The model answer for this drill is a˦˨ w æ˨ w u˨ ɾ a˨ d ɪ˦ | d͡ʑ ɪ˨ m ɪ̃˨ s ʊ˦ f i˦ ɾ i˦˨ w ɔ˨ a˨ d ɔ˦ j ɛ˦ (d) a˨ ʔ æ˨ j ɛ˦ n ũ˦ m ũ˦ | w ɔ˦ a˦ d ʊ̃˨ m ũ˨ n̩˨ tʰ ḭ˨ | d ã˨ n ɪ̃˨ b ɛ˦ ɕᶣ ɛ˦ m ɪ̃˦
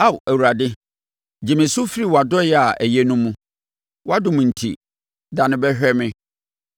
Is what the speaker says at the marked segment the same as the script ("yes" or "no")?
no